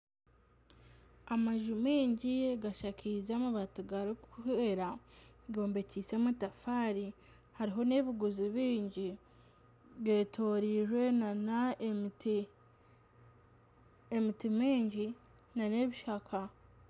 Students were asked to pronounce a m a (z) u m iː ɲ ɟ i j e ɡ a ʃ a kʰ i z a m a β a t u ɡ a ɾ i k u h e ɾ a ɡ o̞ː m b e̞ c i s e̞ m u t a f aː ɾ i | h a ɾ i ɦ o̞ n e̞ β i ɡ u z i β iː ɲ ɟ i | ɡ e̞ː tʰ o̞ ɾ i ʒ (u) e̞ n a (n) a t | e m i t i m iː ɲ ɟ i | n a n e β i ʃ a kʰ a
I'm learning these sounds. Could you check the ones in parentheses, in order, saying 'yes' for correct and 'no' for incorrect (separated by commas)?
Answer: no, no, yes